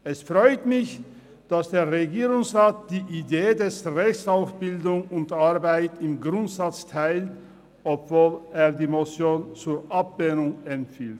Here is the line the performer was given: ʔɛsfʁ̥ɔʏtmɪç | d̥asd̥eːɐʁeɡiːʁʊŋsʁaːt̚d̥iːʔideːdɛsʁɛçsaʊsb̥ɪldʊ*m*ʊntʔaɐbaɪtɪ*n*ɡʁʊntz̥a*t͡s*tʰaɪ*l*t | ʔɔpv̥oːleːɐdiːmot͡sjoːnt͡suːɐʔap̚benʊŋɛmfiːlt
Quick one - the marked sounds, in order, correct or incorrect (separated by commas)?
incorrect, incorrect, correct, correct